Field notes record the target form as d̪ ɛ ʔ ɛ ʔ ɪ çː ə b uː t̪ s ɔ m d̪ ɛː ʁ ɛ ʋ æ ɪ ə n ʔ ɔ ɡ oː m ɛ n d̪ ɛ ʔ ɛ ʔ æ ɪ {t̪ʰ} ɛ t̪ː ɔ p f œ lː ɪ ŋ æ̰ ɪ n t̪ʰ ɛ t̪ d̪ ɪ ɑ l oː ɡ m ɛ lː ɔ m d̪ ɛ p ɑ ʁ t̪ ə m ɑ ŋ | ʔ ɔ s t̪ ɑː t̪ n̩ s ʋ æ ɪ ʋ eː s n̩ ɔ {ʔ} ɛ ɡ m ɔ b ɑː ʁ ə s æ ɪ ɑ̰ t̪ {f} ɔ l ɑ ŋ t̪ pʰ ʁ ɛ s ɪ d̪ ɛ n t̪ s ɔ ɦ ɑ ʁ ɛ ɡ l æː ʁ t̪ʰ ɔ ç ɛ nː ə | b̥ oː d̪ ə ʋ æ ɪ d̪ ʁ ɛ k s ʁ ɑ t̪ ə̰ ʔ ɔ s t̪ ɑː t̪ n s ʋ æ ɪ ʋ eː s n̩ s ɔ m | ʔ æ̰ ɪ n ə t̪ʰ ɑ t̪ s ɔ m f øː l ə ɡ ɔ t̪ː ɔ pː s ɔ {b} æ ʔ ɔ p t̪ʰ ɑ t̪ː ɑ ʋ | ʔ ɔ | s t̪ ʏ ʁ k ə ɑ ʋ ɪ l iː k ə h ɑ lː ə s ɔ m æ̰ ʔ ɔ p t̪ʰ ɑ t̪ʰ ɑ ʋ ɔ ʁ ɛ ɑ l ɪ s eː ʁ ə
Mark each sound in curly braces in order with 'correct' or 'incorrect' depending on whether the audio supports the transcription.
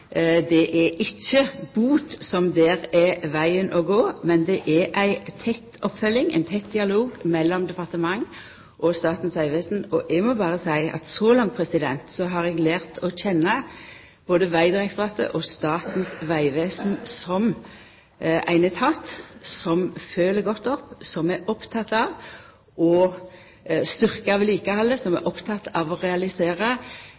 correct, correct, incorrect, incorrect

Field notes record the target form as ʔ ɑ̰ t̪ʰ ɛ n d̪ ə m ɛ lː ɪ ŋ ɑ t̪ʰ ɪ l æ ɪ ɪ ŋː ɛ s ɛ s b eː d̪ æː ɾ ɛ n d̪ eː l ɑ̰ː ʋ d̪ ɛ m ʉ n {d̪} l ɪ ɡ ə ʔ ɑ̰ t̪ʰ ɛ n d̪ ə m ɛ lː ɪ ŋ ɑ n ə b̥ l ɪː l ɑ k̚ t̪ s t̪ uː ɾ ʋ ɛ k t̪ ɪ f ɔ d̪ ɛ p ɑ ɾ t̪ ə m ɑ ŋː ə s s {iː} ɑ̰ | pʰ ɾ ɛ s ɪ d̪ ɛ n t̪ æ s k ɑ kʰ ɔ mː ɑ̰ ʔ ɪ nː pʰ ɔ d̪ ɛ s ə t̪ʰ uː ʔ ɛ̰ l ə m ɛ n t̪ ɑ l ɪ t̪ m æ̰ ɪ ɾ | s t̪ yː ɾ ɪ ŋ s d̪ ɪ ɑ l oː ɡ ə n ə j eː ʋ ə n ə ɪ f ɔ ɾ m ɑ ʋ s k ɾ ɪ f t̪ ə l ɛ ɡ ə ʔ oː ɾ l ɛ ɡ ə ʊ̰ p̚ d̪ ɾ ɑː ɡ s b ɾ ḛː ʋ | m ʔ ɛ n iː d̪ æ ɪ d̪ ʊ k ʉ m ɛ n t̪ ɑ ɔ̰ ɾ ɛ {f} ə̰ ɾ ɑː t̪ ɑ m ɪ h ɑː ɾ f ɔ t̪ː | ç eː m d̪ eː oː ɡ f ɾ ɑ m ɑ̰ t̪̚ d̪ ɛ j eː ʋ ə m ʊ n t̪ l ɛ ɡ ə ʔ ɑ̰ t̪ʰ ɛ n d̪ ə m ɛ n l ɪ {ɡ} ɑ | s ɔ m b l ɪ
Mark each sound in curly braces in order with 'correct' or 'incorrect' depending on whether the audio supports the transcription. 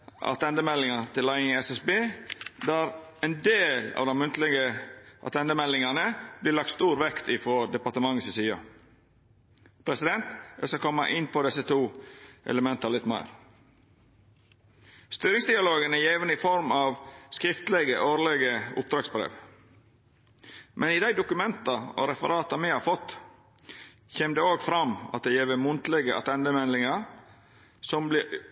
incorrect, correct, correct, incorrect

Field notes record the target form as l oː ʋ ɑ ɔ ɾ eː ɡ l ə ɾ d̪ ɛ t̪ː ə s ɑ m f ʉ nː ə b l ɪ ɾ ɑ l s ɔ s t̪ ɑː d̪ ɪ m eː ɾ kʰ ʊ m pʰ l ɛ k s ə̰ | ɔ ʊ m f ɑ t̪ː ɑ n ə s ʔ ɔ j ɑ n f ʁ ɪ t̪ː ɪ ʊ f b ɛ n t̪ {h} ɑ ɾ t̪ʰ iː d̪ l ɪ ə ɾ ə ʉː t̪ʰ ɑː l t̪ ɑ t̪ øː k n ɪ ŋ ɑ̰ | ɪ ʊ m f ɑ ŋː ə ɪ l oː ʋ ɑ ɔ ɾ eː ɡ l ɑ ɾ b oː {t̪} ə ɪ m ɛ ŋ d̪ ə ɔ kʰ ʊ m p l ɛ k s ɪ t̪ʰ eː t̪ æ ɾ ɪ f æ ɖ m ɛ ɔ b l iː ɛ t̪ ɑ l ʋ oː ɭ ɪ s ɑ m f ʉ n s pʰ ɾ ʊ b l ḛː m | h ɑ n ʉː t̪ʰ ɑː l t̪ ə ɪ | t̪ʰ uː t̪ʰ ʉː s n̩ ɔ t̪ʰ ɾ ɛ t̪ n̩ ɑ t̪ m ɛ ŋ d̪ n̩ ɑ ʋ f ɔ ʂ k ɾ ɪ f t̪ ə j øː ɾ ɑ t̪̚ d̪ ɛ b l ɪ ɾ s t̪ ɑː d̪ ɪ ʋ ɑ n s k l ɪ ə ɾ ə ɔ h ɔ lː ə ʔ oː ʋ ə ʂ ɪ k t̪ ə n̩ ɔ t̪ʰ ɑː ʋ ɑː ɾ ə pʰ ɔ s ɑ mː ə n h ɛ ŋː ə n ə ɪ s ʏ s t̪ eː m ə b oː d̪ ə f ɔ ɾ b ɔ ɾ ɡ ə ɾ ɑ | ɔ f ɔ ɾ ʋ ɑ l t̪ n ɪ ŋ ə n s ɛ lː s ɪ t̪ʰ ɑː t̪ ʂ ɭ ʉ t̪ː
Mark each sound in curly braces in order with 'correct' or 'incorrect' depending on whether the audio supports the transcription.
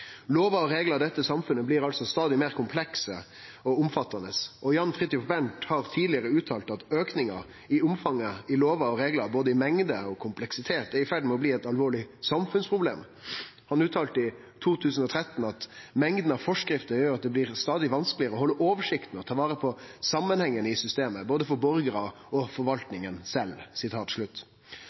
correct, incorrect

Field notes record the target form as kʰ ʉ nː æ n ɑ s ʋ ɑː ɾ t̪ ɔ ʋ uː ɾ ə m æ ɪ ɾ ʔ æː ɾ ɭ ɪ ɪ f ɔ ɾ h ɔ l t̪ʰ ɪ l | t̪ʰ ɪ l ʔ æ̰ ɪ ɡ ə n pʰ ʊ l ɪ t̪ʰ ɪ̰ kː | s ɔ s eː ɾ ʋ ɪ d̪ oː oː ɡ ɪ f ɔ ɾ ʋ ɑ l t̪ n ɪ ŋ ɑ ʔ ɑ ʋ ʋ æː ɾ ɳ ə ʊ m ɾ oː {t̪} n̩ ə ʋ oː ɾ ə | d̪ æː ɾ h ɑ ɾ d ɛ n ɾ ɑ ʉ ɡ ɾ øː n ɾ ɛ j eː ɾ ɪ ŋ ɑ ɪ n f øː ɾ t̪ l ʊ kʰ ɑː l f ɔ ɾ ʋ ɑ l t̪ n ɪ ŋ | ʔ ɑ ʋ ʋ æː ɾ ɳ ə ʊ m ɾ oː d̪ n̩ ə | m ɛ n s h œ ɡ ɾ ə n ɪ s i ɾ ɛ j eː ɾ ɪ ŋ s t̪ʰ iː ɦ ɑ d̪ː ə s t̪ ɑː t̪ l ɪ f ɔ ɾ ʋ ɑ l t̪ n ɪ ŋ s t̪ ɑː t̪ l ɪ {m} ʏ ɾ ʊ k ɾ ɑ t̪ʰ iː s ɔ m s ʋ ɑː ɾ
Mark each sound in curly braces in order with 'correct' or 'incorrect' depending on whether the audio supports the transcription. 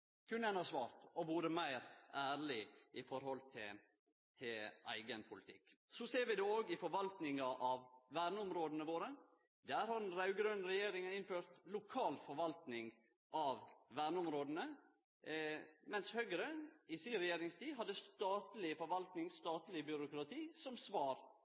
incorrect, incorrect

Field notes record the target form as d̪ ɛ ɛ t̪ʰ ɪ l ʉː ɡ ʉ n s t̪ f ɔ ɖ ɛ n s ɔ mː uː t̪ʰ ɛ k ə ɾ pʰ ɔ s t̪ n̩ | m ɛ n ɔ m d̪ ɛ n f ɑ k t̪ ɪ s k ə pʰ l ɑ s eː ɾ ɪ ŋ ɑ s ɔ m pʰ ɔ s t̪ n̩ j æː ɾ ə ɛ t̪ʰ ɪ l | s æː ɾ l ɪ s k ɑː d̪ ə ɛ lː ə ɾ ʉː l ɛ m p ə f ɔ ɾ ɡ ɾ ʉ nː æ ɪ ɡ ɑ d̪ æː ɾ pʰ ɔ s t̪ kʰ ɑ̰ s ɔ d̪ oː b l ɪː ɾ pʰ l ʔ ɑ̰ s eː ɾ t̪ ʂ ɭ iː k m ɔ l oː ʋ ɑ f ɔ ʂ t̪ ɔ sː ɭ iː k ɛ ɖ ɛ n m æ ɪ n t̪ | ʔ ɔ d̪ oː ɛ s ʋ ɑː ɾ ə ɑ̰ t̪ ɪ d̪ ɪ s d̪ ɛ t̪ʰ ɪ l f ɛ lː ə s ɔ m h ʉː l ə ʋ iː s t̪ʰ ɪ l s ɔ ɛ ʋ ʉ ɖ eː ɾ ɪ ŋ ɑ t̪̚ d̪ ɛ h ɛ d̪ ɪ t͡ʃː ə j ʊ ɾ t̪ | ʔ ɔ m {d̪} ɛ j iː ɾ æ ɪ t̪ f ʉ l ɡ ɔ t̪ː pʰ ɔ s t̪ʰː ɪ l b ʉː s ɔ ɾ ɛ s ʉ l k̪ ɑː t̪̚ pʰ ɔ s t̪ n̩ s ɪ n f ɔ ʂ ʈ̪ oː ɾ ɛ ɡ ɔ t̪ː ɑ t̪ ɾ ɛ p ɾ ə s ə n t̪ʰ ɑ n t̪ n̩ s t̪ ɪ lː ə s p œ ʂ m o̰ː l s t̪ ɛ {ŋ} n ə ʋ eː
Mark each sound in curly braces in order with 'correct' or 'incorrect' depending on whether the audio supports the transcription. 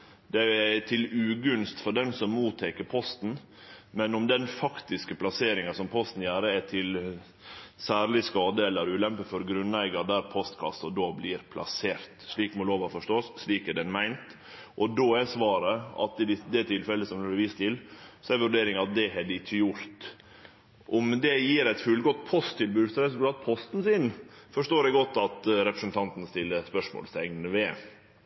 correct, correct

